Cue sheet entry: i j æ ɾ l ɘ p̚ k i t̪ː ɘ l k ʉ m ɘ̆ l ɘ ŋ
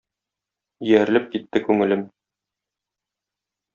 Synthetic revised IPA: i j æ ɾ l ɘ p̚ k i t̪ː ɘ k ʉ ŋ ɘ̆ l ɘ m

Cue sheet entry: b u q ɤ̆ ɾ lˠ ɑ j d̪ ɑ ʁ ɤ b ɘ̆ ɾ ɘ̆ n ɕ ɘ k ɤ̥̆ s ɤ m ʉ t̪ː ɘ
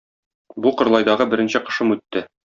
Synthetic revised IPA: b u q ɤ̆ ɾ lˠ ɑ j d̪ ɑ ʁ ɤ b ɘ̆ ɾ ɘ̆ n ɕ ɘ q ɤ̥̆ ʃ ɤ m ʉ t̪ː ɘ

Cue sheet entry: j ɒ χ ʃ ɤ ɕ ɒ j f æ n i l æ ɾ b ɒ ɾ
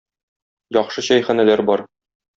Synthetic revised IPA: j ɒ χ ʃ ɤ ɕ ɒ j χ æ n æ l æ ɾ b ɒ ɾ

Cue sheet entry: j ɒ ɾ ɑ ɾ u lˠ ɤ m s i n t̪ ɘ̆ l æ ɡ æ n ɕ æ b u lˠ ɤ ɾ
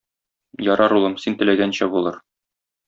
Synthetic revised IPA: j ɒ ɾ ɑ ɾ u lˠ ɤ m s i n t̪ ɘ̆ l æ ɡ æ n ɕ æ b u lˠ ɤ ɾ

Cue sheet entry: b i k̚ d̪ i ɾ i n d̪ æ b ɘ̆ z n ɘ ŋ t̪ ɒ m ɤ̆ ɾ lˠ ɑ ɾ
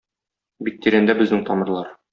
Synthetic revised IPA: b i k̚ t̪ i ɾ æ n d̪ æ b ɘ̆ z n ɘ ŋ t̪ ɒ m ɤ̆ ɾ lˠ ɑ ɾ

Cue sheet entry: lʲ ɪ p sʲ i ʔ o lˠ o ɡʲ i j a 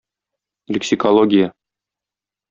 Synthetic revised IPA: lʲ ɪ k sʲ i k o lˠ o ɡʲ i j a

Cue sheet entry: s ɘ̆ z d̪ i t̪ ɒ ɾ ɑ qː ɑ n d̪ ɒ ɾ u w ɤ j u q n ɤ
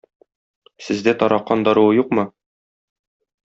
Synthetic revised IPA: s ɘ̆ z d̪ æ t̪ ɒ ɾ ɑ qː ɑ n d̪ ɒ ɾ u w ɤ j u q m ɤ

